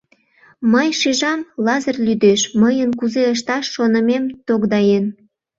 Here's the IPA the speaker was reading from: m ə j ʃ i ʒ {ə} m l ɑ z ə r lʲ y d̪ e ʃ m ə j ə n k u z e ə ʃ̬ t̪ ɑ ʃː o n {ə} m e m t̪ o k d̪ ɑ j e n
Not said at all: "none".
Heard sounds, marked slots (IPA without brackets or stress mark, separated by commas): ɑ, ə